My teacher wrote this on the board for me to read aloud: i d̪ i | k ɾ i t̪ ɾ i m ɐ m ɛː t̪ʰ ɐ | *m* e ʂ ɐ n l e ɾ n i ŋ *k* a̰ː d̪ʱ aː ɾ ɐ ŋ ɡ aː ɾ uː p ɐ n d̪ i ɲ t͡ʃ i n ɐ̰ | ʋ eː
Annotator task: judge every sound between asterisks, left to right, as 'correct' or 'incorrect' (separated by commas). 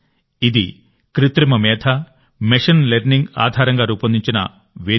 correct, incorrect